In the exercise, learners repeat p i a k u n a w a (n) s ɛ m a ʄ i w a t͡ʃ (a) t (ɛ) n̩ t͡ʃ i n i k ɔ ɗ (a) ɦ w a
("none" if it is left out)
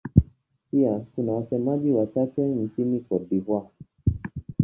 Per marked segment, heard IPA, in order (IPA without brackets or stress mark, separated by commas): none, a, ɛ, i